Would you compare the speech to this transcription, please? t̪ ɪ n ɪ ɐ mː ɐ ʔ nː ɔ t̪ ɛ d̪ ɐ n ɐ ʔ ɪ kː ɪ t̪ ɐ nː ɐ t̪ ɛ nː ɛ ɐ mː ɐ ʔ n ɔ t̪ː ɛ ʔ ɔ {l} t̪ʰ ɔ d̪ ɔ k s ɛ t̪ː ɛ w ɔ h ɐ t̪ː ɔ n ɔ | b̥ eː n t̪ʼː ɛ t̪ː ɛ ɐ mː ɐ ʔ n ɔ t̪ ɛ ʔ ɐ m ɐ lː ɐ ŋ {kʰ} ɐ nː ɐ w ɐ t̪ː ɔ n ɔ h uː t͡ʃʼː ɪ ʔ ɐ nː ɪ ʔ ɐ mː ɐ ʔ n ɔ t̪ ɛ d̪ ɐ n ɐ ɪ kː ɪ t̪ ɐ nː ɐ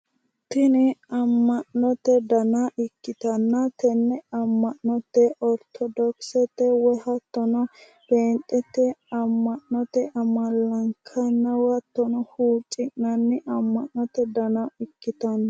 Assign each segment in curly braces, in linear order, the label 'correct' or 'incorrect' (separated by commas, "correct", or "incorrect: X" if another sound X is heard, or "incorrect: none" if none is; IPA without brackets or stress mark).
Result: incorrect: ɾ, correct